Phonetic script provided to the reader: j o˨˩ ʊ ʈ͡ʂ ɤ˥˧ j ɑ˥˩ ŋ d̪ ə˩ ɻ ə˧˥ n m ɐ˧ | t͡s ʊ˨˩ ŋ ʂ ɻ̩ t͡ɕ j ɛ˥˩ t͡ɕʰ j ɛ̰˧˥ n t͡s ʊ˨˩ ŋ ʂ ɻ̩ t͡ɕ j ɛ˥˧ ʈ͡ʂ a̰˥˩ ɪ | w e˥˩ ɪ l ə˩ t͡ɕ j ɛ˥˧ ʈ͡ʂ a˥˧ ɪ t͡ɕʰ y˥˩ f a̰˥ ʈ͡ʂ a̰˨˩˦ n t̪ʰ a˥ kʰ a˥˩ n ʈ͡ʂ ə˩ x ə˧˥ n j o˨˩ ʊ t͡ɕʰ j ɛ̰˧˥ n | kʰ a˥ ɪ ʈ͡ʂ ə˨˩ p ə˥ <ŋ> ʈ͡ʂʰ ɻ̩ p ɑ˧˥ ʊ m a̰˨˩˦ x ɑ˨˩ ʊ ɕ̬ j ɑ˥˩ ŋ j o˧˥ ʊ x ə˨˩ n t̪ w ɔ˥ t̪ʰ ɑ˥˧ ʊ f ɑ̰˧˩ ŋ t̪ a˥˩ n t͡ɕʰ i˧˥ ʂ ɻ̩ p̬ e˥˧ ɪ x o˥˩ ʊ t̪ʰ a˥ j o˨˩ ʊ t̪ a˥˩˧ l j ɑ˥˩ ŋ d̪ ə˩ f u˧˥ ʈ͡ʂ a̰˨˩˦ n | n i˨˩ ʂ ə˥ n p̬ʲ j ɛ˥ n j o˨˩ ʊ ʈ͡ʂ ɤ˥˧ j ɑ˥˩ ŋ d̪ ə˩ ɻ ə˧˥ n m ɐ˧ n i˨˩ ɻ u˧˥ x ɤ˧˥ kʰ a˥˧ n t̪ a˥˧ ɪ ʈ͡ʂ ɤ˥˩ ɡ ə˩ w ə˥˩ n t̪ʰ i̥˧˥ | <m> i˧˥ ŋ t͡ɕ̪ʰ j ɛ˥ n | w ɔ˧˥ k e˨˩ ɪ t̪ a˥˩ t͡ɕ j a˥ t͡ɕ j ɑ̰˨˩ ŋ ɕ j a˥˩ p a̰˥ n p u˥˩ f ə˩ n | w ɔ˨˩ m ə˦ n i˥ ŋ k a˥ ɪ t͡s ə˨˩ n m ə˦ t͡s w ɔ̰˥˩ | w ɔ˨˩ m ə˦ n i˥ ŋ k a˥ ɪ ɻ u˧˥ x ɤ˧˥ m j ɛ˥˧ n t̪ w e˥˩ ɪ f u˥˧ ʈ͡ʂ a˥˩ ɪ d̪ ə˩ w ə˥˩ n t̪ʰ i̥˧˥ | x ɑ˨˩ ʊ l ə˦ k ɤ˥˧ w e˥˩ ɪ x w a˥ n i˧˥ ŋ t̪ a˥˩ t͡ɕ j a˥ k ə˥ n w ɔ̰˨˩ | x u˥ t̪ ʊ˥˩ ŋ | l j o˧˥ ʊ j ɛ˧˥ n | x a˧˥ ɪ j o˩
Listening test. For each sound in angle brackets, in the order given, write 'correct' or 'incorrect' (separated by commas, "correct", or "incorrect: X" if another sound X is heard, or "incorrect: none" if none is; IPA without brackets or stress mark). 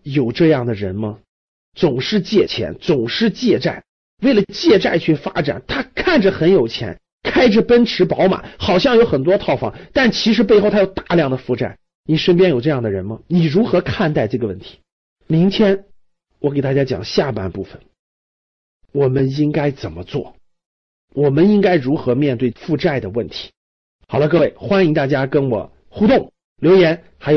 incorrect: n, correct